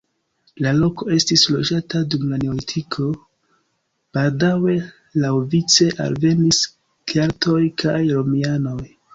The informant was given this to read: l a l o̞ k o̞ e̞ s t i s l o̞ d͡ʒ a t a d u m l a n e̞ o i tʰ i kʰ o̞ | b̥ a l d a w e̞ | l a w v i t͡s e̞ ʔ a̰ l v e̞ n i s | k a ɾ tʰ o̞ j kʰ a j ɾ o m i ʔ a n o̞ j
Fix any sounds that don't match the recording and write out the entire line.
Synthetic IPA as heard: l a l o̞ k o̞ e̞ s t i s l o̞ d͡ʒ a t a d u m l a n e̞ o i tʰ i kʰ o̞ | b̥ a l d a w e̞ | l a w v i t͡s e̞ ʔ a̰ l v e̞ n i s | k a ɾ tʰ o̞ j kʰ a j ɾ o m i a n o̞ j